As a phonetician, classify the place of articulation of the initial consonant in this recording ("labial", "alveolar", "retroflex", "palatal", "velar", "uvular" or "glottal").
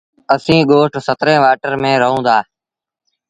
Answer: alveolar